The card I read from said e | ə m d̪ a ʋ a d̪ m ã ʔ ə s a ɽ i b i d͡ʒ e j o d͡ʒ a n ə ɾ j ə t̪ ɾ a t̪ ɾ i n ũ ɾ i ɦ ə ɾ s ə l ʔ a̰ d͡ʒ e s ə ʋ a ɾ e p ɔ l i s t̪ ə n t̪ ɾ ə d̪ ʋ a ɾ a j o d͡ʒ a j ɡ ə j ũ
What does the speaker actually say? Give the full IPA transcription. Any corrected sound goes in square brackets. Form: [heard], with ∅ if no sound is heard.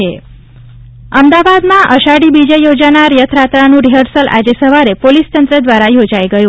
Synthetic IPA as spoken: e | ə m d̪ a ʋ a d̪ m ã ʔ ə [ʃ] a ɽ i b i d͡ʒ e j o d͡ʒ a n [a] ɾ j ə [t̪ʰ] ɾ a t̪ ɾ [a] n ũ ɾ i ɦ ə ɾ s ə l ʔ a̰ d͡ʒ e s ə ʋ a ɾ e p [o] l i s t̪ ə n t̪ ɾ ə d̪ ʋ a ɾ a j o d͡ʒ a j ɡ ə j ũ

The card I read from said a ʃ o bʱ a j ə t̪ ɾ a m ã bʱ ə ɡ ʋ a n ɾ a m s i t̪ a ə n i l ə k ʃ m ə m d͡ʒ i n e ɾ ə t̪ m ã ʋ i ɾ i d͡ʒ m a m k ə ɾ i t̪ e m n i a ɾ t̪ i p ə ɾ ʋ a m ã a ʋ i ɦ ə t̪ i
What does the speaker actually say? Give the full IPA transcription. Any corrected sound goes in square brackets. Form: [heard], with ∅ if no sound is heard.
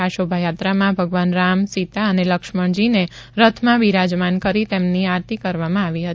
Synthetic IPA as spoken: a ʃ o bʱ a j [a] t̪ ɾ a m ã bʱ ə ɡ ʋ a n ɾ a m s i t̪ a ə n [e] l ə k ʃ m ə [ɳ] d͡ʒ i n e ɾ ə [t̪ʰ] m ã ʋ i ɾ [a] d͡ʒ m a [n] k ə ɾ i t̪ e m n i a ɾ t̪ i [k] ə ɾ ʋ a m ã a ʋ i ɦ ə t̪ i

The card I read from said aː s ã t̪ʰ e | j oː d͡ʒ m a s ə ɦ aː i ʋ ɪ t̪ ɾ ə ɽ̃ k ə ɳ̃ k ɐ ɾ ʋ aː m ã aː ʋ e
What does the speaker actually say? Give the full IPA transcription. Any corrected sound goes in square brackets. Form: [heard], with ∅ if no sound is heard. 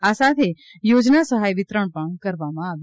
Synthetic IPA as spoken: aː s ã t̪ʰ e | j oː d͡ʒ [n] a s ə ɦ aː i ʋ ɪ t̪ ɾ ə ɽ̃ [p] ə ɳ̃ k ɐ ɾ ʋ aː m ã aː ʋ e

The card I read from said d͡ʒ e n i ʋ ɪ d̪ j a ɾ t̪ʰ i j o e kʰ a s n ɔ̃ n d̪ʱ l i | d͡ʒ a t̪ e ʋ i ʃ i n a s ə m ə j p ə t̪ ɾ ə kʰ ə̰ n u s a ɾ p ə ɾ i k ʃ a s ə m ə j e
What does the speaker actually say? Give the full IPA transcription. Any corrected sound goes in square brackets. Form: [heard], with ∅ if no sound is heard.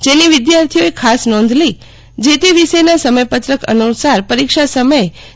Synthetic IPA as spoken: d͡ʒ e n i ʋ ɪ d̪ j a ɾ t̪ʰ i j o e kʰ a s n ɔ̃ n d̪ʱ l i | d͡ʒ [e] t̪ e ʋ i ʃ [e] n a s ə m ə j p ə t̪ ɾ ə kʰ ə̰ n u s a ɾ p ə ɾ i k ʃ a s ə m ə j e

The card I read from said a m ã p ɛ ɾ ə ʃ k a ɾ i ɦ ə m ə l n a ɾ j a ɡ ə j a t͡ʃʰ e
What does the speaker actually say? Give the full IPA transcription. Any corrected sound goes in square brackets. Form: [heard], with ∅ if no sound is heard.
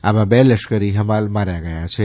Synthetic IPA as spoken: a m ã [b] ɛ [l] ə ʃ k [ə] ɾ i ɦ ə m [a] l [m] a ɾ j a ɡ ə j a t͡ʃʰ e

